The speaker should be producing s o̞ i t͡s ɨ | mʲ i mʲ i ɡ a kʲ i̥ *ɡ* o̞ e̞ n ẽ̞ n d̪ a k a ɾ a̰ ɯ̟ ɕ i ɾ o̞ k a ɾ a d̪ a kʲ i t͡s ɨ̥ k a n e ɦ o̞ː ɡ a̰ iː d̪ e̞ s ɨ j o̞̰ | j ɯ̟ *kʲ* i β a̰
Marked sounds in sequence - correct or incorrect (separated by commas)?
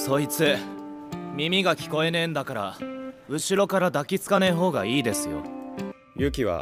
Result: incorrect, correct